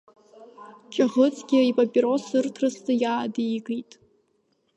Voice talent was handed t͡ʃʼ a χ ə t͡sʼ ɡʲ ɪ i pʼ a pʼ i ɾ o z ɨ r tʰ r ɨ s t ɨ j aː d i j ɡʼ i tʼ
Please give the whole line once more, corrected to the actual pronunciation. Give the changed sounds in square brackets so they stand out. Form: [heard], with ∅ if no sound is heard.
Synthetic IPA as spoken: t͡ʃʼ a [ʁ] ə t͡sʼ ɡʲ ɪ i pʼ a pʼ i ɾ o [s] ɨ r tʰ r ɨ s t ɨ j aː d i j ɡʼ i tʼ

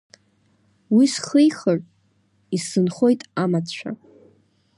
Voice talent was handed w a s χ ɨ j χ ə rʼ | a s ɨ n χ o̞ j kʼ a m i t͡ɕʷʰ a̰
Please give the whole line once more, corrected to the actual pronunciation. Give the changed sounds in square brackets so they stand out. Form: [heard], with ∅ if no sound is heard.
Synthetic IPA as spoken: w [i] s χ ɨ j χ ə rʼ | [i] s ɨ n χ o̞ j [tʼ] a m [a] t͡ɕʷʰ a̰

